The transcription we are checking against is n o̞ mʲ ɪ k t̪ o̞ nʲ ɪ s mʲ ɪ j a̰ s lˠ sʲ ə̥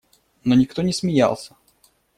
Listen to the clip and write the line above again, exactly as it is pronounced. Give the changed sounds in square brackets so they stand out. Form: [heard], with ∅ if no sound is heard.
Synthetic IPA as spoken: n o̞ [nʲ] ɪ k t̪ o̞ nʲ ɪ s mʲ ɪ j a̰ [∅] lˠ sʲ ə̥